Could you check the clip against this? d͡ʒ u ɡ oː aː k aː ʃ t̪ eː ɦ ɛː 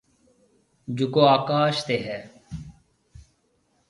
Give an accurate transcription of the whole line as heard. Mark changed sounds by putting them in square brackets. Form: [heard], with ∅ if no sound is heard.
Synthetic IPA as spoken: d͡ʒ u [k] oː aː k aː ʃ t̪ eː ɦ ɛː